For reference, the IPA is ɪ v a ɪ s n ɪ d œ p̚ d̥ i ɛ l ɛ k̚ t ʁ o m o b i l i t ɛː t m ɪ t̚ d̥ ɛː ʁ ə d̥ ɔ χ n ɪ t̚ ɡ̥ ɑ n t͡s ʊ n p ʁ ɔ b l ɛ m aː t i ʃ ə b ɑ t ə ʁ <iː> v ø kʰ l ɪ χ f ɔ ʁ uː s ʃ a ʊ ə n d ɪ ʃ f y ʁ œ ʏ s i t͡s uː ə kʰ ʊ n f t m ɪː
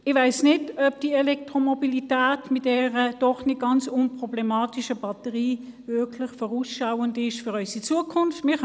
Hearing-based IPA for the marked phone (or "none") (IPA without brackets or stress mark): iː